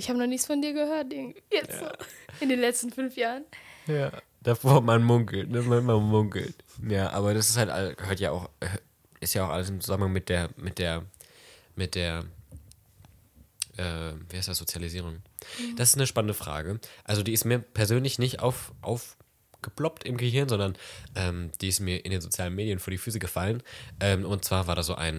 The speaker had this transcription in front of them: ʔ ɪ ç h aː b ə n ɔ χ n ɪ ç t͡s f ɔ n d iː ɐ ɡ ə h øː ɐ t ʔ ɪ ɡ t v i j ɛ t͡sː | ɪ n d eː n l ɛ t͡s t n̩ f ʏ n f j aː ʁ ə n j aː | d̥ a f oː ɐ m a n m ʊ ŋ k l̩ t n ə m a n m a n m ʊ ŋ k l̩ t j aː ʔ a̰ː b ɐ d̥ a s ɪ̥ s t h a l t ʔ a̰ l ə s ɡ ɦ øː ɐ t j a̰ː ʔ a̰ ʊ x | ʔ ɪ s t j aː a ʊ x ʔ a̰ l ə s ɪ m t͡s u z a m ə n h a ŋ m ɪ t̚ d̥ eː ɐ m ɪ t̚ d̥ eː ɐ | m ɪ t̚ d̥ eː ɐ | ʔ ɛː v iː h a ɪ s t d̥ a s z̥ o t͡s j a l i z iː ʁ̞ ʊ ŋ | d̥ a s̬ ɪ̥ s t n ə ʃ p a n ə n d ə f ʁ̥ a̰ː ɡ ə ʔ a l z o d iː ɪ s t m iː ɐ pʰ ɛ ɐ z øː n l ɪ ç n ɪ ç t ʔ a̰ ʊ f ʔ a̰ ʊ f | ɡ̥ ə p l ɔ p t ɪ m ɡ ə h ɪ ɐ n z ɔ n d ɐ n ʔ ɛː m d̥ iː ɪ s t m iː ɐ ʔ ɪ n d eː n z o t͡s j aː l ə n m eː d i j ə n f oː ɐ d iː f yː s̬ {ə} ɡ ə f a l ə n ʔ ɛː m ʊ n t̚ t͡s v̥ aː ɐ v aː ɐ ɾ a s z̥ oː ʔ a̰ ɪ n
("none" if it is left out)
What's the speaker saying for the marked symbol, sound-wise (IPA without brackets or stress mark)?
ə